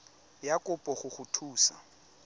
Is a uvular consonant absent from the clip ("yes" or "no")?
no